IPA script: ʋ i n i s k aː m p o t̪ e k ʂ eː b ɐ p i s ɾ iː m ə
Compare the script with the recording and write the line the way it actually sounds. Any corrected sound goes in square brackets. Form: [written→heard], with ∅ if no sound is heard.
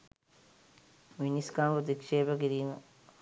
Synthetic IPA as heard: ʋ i n i s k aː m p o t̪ [e→i] k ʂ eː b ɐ [p→k] i [s→∅] ɾ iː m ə